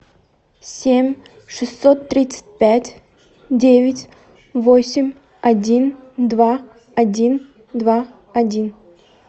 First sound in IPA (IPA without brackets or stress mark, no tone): sʲ